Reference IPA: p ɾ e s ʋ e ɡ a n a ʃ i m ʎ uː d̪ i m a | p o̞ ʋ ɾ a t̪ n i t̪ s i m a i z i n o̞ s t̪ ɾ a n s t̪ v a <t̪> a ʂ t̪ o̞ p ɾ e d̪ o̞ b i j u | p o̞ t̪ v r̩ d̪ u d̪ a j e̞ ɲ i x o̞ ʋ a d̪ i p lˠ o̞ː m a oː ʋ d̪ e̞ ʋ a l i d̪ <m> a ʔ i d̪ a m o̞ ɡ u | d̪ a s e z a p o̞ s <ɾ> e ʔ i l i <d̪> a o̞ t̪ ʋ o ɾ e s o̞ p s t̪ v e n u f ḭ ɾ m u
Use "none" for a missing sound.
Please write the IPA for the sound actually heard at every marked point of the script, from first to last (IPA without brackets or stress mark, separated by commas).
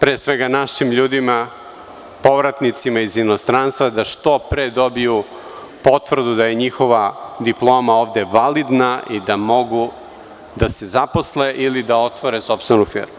d̪, n, l, d̪